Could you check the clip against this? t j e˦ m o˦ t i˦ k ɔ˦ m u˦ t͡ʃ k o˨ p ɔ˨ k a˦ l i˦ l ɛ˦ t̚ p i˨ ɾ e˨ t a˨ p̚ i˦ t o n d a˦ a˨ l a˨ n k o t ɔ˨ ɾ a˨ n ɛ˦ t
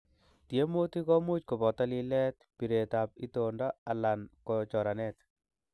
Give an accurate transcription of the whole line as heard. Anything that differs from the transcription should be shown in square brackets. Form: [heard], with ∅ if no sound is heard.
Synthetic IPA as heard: t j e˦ m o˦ t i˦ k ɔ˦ m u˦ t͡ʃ k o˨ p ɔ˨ [t] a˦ l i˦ l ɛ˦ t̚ p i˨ ɾ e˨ t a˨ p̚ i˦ t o n d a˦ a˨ l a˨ n k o [t͡ʃ] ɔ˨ ɾ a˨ n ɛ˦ t